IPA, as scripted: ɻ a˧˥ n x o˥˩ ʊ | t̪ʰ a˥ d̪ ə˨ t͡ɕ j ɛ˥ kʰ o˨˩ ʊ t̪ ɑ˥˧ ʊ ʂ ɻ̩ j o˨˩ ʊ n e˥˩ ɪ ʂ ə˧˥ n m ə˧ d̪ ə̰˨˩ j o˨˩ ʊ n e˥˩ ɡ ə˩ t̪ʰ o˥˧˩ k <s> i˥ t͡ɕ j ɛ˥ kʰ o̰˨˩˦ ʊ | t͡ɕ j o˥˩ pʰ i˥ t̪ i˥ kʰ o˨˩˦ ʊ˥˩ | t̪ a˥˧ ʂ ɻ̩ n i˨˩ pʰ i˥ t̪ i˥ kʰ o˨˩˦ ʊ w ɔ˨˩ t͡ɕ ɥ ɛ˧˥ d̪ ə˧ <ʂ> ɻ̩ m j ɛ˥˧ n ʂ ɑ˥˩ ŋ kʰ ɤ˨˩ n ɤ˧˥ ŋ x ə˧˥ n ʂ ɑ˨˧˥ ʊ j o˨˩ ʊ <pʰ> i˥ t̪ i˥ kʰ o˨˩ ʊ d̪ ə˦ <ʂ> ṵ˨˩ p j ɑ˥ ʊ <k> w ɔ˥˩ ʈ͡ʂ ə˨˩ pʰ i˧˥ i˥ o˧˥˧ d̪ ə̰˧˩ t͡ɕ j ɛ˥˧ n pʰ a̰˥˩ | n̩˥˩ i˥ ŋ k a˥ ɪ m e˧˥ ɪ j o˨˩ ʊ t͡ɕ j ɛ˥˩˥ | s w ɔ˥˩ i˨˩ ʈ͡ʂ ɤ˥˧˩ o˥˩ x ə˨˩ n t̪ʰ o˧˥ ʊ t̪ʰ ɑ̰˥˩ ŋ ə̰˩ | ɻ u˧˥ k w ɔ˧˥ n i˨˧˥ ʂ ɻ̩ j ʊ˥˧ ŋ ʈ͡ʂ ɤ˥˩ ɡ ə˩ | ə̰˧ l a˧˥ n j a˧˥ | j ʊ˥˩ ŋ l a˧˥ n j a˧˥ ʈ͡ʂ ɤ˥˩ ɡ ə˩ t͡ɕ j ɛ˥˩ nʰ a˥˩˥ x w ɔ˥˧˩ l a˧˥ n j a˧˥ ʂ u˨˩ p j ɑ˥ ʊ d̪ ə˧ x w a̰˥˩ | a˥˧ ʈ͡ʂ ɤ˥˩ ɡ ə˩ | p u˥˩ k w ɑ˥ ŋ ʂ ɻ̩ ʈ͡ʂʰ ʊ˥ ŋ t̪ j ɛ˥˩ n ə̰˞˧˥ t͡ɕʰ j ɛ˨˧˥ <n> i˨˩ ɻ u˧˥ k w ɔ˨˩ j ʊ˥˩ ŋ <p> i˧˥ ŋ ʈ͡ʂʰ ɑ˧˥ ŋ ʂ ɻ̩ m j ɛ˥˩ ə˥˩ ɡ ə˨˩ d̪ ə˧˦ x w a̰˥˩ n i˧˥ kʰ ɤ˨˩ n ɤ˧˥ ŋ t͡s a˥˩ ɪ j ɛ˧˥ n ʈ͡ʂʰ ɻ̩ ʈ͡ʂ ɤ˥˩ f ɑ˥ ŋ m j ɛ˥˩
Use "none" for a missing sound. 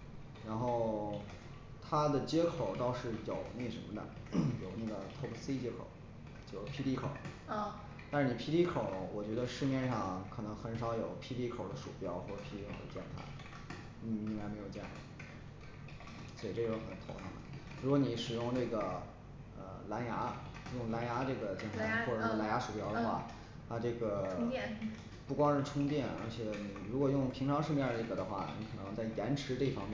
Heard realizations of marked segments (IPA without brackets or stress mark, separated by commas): s, ʂ, pʰ, ʂ, x, n, pʰ